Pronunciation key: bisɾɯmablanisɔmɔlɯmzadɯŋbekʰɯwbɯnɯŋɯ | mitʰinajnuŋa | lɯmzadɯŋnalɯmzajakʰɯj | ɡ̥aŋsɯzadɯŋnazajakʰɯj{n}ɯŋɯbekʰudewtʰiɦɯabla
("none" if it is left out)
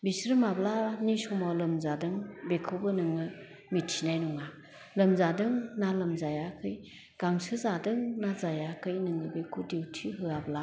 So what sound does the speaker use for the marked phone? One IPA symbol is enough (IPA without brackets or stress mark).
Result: n